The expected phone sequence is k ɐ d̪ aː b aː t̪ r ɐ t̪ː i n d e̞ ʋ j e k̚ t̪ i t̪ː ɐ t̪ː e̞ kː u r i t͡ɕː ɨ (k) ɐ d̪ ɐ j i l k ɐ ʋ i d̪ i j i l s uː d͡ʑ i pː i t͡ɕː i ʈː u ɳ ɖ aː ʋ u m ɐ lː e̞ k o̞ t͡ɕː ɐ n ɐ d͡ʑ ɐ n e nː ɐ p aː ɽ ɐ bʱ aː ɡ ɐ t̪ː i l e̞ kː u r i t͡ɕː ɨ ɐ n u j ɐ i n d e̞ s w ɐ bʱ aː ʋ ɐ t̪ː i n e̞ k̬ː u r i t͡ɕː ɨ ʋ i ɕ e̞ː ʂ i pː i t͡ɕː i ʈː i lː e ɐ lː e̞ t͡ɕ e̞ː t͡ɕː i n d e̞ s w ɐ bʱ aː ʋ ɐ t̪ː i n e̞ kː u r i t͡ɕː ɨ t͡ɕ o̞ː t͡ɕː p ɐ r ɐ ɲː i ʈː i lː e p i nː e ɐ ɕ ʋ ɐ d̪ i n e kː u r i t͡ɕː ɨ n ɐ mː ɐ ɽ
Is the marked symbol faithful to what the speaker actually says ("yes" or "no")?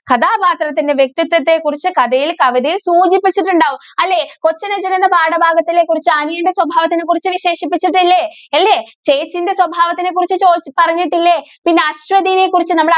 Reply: yes